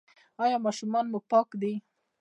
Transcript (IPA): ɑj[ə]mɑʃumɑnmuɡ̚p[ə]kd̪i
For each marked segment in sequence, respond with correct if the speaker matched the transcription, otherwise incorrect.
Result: incorrect: ɑ, incorrect: ɑ

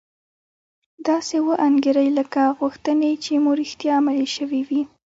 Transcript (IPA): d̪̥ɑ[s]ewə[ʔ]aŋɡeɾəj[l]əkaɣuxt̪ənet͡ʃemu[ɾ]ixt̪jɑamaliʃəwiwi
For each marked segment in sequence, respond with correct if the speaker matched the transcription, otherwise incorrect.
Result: correct, correct, correct, correct

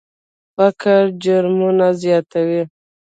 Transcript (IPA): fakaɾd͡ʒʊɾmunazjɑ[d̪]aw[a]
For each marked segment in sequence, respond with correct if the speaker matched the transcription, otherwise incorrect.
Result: incorrect: t̪, incorrect: i

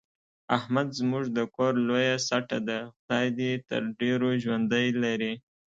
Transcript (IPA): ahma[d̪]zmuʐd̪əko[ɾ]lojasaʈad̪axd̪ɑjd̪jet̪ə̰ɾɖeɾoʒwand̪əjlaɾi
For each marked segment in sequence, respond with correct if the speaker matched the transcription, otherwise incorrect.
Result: correct, correct

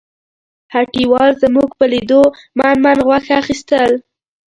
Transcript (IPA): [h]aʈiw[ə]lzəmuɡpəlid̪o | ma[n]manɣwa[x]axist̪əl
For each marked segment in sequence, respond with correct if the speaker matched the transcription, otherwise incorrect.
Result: correct, incorrect: ɑ, correct, correct

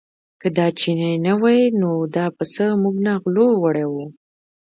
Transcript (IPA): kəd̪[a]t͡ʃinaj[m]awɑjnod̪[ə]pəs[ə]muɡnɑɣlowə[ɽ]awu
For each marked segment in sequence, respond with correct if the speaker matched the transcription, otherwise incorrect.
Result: incorrect: ɑ, incorrect: n, incorrect: ɑ, correct, correct

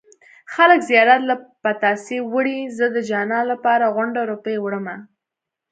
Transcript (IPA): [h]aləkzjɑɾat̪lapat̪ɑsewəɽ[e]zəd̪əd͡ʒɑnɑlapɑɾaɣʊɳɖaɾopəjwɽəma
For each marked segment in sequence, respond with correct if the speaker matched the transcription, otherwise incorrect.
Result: incorrect: x, incorrect: i

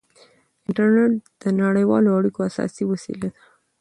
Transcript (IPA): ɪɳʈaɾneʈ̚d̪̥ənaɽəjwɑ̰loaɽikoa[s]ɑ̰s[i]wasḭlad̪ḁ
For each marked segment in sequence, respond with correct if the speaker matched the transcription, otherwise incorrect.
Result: correct, correct

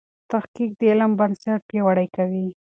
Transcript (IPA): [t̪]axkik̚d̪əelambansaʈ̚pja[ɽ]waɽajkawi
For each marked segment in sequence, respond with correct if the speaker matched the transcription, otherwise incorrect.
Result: correct, incorrect: none

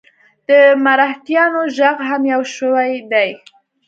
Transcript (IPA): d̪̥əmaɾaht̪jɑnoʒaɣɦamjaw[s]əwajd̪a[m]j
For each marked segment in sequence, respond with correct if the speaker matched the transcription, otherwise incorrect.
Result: incorrect: ʃ, incorrect: none

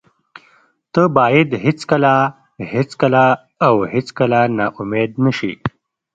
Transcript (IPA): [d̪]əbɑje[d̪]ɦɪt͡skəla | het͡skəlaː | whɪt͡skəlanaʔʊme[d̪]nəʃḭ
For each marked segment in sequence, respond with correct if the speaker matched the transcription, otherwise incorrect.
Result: incorrect: t̪, correct, correct

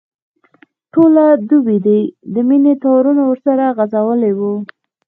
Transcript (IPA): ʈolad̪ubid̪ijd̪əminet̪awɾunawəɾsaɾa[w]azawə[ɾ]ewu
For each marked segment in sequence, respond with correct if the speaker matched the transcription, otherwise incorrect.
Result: incorrect: ɣ, incorrect: l

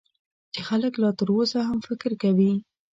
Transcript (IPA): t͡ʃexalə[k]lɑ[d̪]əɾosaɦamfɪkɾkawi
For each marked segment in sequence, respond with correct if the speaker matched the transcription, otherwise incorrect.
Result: correct, incorrect: t̪

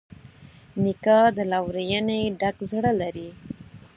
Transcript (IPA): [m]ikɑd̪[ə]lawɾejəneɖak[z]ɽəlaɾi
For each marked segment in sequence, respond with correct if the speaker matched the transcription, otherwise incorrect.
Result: incorrect: n, correct, correct

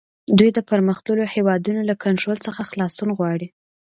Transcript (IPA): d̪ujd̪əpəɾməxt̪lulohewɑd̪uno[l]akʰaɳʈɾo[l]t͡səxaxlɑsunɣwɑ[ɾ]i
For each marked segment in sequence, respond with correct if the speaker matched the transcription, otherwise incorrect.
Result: correct, correct, incorrect: ɽ

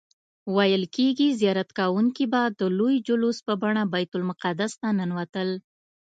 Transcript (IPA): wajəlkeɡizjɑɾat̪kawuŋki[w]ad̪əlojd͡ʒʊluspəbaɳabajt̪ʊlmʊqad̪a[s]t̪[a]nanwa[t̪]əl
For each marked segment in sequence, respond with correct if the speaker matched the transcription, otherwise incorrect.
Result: incorrect: b, correct, correct, correct

